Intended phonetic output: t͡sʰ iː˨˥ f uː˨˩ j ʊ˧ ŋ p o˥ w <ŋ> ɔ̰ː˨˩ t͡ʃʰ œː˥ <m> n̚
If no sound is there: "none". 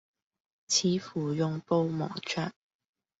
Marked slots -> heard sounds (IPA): m, none

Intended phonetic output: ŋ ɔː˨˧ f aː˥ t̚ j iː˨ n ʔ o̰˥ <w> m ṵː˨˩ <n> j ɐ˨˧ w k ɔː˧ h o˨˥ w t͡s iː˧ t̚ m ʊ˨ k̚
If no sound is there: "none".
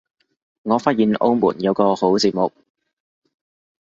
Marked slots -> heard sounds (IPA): w, n

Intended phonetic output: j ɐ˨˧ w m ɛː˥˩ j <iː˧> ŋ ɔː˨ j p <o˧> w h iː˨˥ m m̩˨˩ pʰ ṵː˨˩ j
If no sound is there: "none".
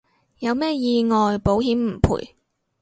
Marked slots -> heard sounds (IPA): iː˧, o˨˥

